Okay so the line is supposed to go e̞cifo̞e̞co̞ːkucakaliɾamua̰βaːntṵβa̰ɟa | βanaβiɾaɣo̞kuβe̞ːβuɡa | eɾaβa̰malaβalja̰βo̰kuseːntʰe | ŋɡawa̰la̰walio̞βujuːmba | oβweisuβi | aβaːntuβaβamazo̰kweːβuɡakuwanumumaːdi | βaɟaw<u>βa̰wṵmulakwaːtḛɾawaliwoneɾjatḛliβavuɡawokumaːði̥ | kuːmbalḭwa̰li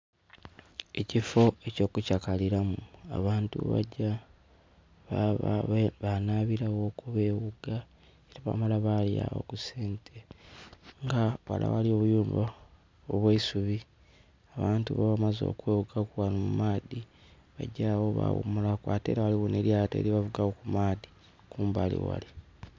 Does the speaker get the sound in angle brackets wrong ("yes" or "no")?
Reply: yes